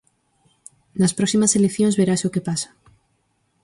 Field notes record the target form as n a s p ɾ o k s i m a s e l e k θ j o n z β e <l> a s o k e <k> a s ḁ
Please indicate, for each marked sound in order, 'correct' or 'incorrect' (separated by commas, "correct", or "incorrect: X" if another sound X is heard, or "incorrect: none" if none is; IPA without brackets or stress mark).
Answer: incorrect: ɾ, incorrect: p